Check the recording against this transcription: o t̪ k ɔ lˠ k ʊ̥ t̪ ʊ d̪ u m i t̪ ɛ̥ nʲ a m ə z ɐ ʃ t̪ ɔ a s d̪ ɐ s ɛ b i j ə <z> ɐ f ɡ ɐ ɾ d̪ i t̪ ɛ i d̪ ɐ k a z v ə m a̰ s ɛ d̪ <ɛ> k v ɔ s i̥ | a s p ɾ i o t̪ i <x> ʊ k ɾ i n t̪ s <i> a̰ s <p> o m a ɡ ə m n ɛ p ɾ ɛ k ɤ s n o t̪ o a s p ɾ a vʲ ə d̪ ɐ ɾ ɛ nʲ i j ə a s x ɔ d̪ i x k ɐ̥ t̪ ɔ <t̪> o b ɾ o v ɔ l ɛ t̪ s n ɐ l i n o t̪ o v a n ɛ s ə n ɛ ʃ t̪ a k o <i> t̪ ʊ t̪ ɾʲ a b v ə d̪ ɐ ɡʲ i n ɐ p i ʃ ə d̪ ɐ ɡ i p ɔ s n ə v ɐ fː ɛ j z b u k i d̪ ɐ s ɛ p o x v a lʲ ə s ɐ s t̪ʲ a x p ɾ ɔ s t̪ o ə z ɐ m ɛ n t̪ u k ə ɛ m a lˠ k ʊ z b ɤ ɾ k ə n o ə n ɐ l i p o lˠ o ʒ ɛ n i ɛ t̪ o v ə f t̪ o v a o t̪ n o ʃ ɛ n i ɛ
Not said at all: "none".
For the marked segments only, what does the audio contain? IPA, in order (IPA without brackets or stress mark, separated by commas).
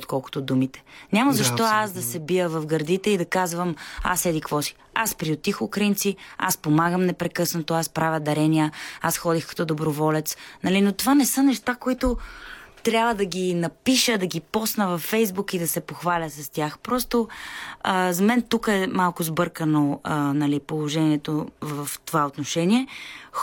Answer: v, i, x, i, p, d̪, i